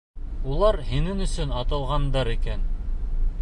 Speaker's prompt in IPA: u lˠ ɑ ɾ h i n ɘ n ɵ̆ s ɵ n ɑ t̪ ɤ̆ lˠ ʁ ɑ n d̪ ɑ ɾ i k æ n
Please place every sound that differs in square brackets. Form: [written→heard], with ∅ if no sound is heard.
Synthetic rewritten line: u lˠ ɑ ɾ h i n ɘ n ɵ̆ s ɵ n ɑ t̪ ɤ̆ lˠ ʁ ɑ n d̪ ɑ ɾ i k æ n